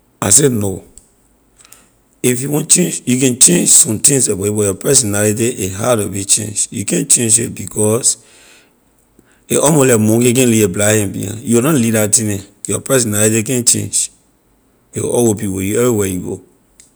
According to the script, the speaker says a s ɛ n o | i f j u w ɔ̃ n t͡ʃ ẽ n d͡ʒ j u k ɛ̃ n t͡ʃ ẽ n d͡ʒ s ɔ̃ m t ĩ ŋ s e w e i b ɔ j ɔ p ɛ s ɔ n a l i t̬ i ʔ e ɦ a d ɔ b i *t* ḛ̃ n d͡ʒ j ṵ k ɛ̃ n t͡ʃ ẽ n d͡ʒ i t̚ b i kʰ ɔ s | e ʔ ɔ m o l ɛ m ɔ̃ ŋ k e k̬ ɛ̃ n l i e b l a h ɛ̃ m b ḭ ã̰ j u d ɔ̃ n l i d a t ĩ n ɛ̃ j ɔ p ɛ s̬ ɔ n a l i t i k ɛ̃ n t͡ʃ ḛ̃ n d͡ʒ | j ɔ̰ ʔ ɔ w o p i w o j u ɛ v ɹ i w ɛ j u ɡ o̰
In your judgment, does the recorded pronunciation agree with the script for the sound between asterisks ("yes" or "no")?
no